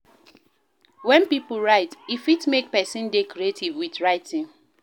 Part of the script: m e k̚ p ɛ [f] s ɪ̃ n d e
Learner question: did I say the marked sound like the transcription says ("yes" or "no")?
no